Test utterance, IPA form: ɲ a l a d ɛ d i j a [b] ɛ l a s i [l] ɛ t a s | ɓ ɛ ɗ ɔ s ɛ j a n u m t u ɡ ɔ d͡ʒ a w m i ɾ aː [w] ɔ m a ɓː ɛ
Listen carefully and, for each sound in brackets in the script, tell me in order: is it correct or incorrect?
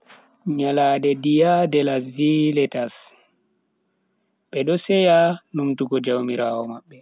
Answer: incorrect, correct, correct

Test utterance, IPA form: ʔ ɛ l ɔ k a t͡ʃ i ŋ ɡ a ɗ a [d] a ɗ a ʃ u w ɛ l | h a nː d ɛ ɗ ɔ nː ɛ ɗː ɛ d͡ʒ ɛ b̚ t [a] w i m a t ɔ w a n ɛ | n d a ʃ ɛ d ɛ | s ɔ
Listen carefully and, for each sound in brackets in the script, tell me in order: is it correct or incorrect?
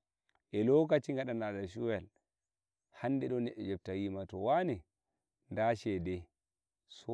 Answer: incorrect, correct

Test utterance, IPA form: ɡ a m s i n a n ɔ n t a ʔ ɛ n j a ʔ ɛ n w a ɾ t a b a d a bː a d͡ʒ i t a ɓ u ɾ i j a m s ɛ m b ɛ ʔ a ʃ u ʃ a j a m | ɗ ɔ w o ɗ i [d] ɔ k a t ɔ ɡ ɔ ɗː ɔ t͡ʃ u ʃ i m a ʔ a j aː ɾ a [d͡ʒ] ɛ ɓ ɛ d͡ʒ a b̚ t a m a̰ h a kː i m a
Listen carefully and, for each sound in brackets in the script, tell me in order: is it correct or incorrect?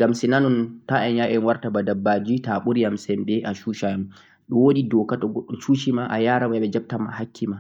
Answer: correct, incorrect

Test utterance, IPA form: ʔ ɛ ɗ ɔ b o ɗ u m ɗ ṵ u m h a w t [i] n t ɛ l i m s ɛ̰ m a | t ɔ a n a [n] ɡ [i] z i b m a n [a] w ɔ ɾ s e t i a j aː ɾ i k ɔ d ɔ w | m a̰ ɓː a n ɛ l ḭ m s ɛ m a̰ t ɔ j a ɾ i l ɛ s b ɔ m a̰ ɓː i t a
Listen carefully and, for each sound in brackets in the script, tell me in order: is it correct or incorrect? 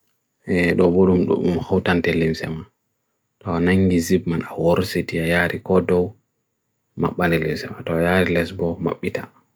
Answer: incorrect, incorrect, correct, correct

